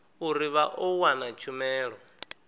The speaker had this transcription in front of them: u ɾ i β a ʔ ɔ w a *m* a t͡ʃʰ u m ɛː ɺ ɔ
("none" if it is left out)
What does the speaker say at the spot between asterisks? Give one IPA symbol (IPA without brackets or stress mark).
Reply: n